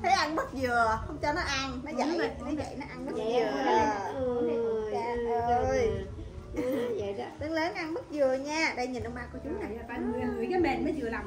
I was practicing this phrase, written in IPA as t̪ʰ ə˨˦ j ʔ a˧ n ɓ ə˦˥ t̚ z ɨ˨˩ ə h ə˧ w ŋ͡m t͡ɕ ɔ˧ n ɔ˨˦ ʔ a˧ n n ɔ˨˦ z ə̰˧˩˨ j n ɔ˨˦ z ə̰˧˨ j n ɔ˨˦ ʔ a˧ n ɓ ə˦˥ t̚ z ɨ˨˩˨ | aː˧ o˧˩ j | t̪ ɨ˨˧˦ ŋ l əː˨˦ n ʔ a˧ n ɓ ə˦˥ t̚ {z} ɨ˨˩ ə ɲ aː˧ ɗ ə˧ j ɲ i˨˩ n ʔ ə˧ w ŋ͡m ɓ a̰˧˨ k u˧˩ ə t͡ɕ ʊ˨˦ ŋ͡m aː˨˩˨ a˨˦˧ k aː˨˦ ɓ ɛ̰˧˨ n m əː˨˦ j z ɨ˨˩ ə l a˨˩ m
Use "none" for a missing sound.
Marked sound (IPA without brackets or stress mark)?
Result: z